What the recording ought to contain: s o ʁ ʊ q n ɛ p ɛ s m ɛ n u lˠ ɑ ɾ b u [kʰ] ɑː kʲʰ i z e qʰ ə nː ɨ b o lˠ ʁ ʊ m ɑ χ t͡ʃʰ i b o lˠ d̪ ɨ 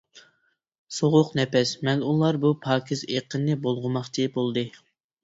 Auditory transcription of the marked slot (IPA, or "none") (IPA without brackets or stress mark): pʰ